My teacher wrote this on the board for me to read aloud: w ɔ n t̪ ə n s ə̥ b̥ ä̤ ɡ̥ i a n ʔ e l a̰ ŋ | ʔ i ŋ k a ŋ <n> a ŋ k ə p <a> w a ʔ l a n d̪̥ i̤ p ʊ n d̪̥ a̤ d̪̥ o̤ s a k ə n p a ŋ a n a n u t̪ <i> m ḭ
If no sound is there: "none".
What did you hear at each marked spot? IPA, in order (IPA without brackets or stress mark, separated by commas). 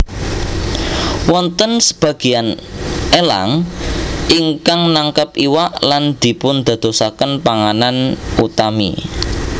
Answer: n, i, a